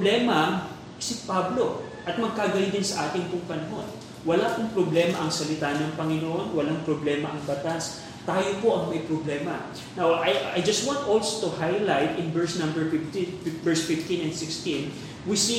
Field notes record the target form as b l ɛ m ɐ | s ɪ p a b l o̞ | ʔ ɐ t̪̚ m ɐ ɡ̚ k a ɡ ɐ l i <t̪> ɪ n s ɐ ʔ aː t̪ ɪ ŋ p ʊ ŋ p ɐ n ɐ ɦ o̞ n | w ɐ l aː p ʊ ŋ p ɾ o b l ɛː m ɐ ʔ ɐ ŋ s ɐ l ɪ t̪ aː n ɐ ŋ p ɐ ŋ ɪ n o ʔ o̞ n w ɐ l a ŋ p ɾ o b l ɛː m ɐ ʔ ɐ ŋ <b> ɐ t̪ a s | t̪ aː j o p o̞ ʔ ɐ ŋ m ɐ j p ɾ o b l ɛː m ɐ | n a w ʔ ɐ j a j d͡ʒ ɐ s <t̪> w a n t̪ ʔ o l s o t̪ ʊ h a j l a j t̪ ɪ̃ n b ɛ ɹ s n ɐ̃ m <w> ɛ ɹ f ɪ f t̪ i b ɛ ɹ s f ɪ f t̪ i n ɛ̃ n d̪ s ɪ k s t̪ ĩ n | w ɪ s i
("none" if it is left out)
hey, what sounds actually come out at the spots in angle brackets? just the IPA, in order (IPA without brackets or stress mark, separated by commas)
d̪, b, t̪, b